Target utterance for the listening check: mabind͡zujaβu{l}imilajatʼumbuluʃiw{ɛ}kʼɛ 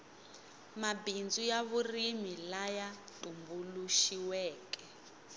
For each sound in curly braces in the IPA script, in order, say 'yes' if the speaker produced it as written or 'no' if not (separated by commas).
no, no